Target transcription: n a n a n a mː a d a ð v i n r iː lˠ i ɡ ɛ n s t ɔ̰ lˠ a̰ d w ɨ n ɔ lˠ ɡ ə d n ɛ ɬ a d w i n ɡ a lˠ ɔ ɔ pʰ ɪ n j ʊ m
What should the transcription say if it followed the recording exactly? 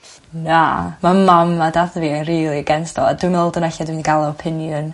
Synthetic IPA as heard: n a m a m a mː a d a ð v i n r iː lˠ i ɡ ɛ n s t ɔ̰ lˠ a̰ d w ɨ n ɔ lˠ d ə n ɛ ɬ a d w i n ɡ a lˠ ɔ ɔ pʰ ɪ n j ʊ n